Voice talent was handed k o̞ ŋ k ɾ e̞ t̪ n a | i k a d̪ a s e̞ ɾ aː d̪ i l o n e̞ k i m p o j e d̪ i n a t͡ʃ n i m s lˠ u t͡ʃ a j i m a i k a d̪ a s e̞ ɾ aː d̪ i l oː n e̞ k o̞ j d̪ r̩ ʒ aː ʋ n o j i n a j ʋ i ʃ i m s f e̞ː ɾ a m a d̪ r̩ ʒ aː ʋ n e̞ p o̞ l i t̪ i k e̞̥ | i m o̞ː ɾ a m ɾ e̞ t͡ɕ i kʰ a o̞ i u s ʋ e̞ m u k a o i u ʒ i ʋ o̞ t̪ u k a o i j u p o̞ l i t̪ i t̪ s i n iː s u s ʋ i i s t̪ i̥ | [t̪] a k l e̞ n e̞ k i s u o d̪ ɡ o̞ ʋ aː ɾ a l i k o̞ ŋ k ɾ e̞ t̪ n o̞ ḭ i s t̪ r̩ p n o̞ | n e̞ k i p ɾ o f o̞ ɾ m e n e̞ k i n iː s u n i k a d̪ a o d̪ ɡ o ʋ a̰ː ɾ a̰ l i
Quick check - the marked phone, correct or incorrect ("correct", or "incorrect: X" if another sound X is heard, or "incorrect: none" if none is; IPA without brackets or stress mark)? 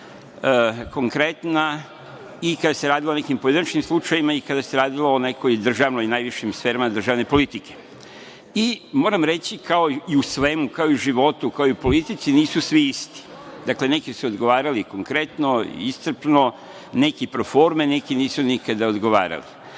incorrect: d̪